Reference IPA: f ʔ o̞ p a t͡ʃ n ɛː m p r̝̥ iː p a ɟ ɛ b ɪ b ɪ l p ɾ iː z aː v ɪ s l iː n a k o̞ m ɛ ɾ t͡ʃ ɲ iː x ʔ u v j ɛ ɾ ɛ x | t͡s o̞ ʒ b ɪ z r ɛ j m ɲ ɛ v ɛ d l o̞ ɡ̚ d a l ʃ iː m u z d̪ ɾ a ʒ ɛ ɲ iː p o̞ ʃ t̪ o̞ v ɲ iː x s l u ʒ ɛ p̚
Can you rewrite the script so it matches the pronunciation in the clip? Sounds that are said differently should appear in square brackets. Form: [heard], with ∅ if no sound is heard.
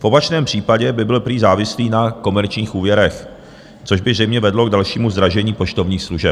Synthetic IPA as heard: f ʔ o̞ p a t͡ʃ n ɛː m p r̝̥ iː p a ɟ ɛ b ɪ b ɪ l p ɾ iː z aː v ɪ s l iː n a k o̞ m ɛ ɾ t͡ʃ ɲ iː x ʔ [uː] v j ɛ ɾ ɛ x | t͡s o̞ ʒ b ɪ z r ɛ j m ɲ ɛ v ɛ d l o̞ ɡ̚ d a l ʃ iː m u z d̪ ɾ a ʒ ɛ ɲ iː p o̞ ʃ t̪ o̞ v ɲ iː x s l u ʒ ɛ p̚